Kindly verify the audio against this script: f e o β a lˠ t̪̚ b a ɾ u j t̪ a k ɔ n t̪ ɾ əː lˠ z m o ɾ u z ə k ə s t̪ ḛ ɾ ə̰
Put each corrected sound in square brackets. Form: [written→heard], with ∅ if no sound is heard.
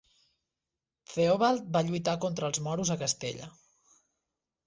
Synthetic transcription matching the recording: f e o β a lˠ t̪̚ b a [ɾ→ʎ] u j t̪ a k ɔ n t̪ ɾ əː lˠ z m [o→ɔ] ɾ u z ə k ə s t̪ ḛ [ɾ→ʎ] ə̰